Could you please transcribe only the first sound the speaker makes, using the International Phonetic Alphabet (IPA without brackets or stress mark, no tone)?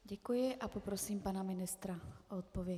ɟ